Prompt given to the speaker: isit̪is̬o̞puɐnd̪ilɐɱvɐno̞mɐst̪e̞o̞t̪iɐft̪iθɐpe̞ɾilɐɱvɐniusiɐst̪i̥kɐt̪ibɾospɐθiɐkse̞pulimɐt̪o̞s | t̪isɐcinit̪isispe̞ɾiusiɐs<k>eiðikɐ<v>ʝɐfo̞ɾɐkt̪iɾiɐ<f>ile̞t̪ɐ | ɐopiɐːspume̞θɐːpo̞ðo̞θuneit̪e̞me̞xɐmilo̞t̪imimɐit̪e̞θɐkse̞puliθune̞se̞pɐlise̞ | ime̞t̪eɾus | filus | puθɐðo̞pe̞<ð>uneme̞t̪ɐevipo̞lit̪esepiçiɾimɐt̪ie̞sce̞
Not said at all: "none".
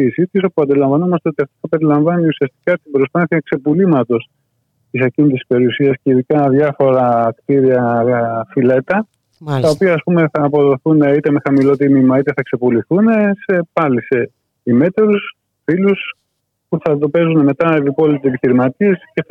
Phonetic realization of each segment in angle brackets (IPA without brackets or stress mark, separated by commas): c, ð, f, z